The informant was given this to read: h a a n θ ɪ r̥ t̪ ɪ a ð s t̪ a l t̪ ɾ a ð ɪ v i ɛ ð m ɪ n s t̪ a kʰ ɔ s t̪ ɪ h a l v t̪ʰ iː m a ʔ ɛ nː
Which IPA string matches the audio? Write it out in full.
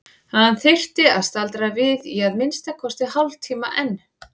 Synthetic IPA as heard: h a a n θ ɪ r̥ t̪ ɪ a ð s t̪ a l t̪ ɾ a v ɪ ð i a ð m ɪ n s t̪ a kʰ ɔ s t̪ ɪ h a l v t̪ʰ iː m a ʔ ɛ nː